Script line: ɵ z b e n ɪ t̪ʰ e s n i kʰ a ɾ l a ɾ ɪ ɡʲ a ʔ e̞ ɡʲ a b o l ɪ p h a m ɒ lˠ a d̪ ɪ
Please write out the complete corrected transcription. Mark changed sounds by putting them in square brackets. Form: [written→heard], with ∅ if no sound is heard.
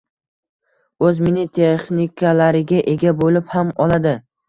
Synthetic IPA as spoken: ɵ z [b→m] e n ɪ t̪ʰ e [s→χ] n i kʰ a [ɾ→∅] l a ɾ ɪ ɡʲ a ʔ e̞ ɡʲ a b o l ɪ p h a m ɒ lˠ a d̪ ɪ

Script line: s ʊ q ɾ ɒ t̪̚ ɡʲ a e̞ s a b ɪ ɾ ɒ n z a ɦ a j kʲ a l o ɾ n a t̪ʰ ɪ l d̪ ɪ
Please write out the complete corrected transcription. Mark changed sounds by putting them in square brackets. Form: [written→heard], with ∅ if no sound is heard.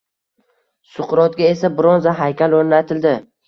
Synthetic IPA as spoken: s ʊ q ɾ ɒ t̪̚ ɡʲ a e̞ s a b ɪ ɾ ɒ n z a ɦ a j kʲ a l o ɾ n a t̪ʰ ɪ l d̪ ɪ

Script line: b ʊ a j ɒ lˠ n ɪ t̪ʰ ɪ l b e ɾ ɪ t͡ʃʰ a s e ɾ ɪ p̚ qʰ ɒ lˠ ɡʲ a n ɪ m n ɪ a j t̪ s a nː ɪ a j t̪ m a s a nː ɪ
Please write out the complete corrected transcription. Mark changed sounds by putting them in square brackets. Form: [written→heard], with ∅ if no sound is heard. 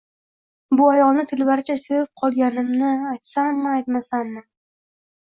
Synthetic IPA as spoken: b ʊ a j ɒ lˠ n ɪ t̪ʰ ɪ l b [e→a] ɾ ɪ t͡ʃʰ a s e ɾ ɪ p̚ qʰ ɒ lˠ ɡʲ a n ɪ m n ɪ a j t̪ s a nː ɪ a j t̪ m a s a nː ɪ

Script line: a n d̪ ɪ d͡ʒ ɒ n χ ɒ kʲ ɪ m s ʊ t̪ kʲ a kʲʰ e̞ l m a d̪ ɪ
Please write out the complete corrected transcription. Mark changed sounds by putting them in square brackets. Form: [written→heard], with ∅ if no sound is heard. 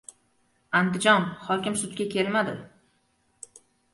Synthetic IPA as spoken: a n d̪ ɪ d͡ʒ ɒ n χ ɒ kʲ ɪ m s ʊ t̪ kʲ a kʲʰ e̞ l m a d̪ ɪ

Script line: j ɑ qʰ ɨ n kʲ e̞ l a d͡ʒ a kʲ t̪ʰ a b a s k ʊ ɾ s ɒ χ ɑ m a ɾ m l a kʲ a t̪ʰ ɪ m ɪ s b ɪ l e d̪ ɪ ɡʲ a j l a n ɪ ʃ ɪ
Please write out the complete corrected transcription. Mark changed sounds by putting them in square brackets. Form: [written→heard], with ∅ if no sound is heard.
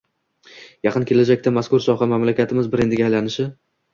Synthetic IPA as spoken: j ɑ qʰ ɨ n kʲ e̞ l a d͡ʒ a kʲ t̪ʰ a [b→m] a s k ʊ ɾ s ɒ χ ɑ m a [ɾ→∅] m l a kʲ a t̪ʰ ɪ m ɪ [s→z] b ɪ [l→ɾ] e d̪ ɪ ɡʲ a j l a n ɪ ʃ ɪ

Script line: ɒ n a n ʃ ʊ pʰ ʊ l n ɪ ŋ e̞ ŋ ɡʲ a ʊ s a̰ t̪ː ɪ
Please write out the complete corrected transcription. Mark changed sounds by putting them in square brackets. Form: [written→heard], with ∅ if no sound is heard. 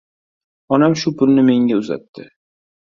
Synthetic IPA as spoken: ɒ n a [n→m] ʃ ʊ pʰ ʊ l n ɪ [ŋ→m] e̞ ŋ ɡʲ a ʊ [s→z] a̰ t̪ː ɪ

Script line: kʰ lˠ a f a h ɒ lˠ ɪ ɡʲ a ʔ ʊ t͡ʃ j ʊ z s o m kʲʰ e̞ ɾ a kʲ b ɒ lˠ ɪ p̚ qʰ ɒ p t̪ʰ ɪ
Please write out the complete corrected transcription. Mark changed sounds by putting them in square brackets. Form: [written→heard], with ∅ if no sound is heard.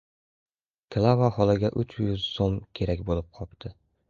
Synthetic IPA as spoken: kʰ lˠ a [f→v] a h ɒ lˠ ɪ ɡʲ a ʔ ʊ t͡ʃ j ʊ z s o m kʲʰ e̞ ɾ a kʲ b [ɒ→o] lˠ ɪ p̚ qʰ ɒ p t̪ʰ ɪ

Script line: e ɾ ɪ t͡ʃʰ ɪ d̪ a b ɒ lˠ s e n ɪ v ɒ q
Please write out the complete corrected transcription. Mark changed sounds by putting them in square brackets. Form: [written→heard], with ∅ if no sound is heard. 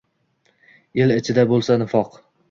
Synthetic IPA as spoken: e [ɾ→l] ɪ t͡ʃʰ ɪ d̪ a b [ɒ→o] lˠ s [e→a] n ɪ [v→f] ɒ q

